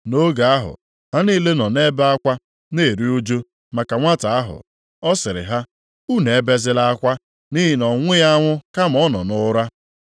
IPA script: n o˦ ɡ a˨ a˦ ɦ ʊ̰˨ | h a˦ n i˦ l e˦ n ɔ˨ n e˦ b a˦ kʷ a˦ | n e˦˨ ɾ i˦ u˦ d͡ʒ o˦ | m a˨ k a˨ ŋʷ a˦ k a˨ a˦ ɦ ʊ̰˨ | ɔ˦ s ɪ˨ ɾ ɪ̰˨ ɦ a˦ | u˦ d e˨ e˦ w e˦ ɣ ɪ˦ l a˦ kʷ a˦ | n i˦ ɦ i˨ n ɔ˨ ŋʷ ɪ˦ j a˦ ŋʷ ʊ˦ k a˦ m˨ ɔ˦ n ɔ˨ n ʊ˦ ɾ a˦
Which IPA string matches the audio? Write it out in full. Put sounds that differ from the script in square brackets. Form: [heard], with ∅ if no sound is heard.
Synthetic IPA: n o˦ ɡ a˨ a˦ ɦ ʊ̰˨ | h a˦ n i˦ l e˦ n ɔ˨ n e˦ b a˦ kʷ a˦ | n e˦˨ ɾ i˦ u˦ d͡ʒ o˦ | m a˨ k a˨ ŋʷ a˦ [t] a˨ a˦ ɦ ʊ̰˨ | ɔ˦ s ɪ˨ ɾ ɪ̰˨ ɦ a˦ | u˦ [n] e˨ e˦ [b] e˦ [z] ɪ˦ l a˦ kʷ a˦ | n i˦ ɦ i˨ n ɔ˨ ŋʷ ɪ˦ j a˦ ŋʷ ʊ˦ k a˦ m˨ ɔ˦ n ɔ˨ n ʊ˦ ɾ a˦

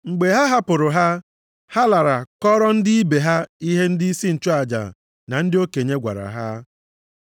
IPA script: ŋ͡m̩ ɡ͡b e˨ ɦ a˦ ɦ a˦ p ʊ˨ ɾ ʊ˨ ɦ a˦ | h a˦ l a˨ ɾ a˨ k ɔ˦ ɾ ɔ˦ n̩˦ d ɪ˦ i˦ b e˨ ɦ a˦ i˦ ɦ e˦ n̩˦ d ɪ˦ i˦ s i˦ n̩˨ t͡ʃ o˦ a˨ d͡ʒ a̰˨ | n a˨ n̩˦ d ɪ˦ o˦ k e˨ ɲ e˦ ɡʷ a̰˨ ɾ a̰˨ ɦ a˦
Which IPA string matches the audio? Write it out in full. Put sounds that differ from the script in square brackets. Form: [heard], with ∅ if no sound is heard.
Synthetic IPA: ŋ͡m̩ ɡ͡b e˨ ɦ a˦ ɦ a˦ p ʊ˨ ɾ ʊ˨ ɦ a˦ | h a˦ l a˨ ɾ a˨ k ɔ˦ ɾ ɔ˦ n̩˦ d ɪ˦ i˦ b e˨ ɦ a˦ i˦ ɦ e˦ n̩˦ d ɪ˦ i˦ s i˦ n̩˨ t͡ʃ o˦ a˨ d͡ʒ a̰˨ | n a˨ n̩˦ d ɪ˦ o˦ k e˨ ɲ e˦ ɡʷ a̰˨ ɾ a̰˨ ɦ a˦

